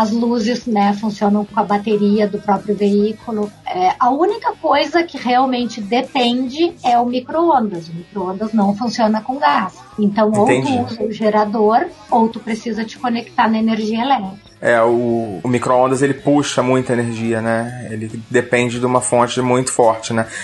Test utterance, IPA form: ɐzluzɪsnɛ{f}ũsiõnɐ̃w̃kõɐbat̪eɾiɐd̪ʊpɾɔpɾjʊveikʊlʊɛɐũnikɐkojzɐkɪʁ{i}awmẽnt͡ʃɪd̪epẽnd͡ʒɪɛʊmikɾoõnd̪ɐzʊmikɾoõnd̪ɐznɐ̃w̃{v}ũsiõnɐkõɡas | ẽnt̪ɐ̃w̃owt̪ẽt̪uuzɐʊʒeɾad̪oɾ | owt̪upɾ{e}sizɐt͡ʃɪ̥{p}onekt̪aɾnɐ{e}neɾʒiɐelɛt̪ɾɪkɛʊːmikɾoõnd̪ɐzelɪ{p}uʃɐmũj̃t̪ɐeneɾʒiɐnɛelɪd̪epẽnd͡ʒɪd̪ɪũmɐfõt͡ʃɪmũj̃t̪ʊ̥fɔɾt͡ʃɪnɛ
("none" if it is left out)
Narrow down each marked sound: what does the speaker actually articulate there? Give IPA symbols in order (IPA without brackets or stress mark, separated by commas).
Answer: f, e, f, e, k, e, p